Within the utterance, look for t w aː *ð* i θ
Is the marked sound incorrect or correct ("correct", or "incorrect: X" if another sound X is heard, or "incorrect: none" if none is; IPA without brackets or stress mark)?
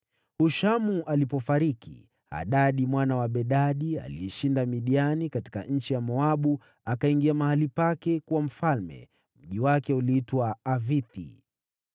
incorrect: v